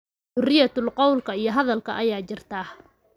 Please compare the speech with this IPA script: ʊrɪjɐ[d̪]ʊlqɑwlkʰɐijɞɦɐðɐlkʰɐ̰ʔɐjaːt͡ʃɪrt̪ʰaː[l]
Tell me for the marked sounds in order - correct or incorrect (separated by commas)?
incorrect, incorrect